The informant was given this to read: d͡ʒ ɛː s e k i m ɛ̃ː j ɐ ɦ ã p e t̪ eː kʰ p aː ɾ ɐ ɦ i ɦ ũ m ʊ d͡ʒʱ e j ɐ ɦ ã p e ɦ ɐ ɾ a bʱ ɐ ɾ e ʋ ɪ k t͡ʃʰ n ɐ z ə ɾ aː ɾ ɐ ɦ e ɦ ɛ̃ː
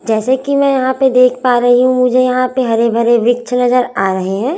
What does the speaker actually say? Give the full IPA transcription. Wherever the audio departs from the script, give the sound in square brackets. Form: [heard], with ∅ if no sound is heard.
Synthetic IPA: d͡ʒ ɛː s e k i m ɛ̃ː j ɐ ɦ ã p e [d̪] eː kʰ p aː ɾ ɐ ɦ i ɦ ũ m ʊ d͡ʒʱ e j ɐ ɦ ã p e ɦ ɐ ɾ [e] bʱ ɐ ɾ e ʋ ɪ k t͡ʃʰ n ɐ z ə ɾ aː ɾ ɐ ɦ e ɦ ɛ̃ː

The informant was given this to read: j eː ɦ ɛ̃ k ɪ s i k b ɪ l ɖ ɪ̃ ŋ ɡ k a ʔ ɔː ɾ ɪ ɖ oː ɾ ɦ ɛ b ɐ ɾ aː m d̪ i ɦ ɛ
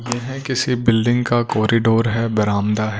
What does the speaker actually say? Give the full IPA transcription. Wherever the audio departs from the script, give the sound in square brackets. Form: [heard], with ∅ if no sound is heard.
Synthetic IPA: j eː ɦ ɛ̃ k ɪ s i [∅] b ɪ l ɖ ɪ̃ ŋ ɡ k a [k] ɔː ɾ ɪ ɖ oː ɾ ɦ ɛ b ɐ ɾ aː m d̪ [a] ɦ ɛ

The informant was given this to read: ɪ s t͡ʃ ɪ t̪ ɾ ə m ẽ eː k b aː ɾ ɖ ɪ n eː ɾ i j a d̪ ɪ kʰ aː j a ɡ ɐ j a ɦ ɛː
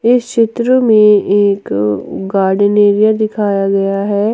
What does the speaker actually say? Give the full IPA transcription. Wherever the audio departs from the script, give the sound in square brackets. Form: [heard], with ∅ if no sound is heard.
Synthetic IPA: ɪ s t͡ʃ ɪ t̪ ɾ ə m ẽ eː k [ɡ] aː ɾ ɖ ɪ n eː ɾ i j a d̪ ɪ kʰ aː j a ɡ ɐ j a ɦ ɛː

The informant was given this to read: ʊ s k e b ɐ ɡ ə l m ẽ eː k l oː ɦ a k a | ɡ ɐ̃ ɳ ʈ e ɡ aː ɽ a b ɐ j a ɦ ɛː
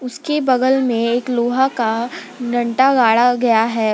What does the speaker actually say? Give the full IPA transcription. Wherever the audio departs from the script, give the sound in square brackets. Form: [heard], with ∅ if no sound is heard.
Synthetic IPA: ʊ s k e b ɐ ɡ ə l m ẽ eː k l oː ɦ a k a | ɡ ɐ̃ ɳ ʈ [a] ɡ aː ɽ a [ɡ] ɐ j a ɦ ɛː

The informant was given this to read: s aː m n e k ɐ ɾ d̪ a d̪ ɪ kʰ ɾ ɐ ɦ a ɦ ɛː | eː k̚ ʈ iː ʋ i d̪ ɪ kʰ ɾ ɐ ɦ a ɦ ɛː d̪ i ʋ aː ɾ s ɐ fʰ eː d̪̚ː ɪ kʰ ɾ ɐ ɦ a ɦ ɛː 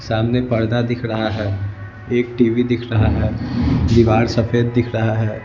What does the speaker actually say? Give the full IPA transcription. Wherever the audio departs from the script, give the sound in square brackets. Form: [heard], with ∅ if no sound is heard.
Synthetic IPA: s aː m n e [p] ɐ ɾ d̪ a d̪ ɪ kʰ ɾ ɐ ɦ a ɦ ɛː | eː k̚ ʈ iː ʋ i d̪ ɪ kʰ ɾ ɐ ɦ a ɦ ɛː d̪ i ʋ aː ɾ s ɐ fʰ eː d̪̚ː ɪ kʰ ɾ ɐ ɦ a ɦ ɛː

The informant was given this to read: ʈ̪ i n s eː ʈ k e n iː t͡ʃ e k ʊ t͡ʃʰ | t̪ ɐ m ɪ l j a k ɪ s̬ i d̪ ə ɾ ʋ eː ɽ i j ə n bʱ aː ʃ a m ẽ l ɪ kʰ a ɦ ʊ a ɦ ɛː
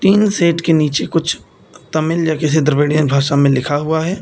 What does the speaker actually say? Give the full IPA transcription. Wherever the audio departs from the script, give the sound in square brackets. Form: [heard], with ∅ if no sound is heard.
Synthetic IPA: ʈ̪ [iː] n s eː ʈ k e n iː t͡ʃ e k ʊ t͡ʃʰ | t̪ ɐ m ɪ l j a k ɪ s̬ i d̪ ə ɾ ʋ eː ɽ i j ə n bʱ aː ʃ a m ẽ l ɪ kʰ a ɦ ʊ a ɦ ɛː

